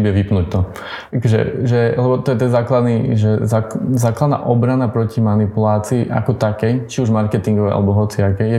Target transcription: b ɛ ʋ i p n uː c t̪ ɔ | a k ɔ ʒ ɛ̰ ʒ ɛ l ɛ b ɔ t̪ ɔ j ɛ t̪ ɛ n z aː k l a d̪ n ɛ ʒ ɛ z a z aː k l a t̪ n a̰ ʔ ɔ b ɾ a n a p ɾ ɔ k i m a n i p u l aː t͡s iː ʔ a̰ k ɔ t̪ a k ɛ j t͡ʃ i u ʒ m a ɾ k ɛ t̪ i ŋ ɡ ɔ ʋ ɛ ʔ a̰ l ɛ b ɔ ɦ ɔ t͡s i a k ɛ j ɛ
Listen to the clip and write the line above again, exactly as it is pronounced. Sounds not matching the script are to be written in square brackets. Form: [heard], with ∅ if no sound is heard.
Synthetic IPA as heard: b ɛ ʋ i p n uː c t̪ ɔ | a k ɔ ʒ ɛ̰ ʒ ɛ l ɛ b ɔ t̪ ɔ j ɛ t̪ ɛ n z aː k l a d̪ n [i] ʒ ɛ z a z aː k l a [d̪] n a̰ ʔ ɔ b ɾ a n a p ɾ ɔ [c] i m a n i p u l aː t͡s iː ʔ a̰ k ɔ t̪ a k ɛ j t͡ʃ i u ʒ m a ɾ k ɛ t̪ i ŋ ɡ ɔ ʋ ɛ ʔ a̰ l ɛ b ɔ ɦ ɔ t͡s i a k ɛ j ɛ